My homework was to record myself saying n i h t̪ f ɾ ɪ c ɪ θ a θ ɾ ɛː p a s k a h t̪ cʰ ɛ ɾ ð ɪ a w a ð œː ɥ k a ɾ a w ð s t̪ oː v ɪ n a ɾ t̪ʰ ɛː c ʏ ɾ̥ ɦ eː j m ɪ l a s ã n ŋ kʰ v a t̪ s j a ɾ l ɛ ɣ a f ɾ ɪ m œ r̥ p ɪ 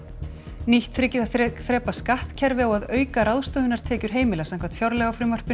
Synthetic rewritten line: n i h t̪ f ɾ ɪ c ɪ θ a θ ɾ ɛː p a s k a h t̪ cʰ ɛ ɾ v ɪ a w a ð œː ɥ k a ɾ a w ð s t̪ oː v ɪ n a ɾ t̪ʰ ɛː c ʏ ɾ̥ ɦ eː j m ɪ l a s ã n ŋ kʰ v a t̪ f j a ɾ l ɛ ɣ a f ɾ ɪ m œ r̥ p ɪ